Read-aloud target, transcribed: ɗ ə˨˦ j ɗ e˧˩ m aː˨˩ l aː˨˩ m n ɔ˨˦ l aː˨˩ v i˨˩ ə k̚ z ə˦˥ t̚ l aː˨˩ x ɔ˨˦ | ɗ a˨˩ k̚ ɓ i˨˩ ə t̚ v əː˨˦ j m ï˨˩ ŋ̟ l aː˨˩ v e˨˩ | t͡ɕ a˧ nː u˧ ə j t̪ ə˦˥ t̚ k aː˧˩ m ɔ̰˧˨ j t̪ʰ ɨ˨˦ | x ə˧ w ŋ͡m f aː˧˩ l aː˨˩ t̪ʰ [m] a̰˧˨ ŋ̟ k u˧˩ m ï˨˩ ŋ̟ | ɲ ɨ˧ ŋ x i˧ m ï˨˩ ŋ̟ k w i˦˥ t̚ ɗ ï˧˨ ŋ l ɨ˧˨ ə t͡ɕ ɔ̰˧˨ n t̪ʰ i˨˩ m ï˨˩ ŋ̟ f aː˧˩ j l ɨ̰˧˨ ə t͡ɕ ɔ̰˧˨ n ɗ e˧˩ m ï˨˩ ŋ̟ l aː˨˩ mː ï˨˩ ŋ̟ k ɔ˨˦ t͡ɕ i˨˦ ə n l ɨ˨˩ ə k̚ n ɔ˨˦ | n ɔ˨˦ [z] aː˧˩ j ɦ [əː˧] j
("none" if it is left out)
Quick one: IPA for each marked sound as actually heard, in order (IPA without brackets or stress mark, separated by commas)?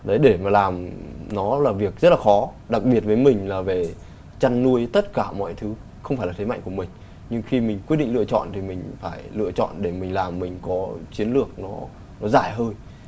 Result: m, z, əː˧